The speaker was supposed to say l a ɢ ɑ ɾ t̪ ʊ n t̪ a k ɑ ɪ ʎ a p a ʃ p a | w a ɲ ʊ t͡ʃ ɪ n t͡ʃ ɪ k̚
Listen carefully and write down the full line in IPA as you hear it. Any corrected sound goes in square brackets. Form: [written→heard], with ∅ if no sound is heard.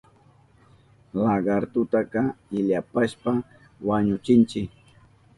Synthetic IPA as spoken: l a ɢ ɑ ɾ t̪ ʊ [n→∅] t̪ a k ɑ ɪ ʎ a p a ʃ p a | w a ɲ ʊ t͡ʃ ɪ n t͡ʃ ɪ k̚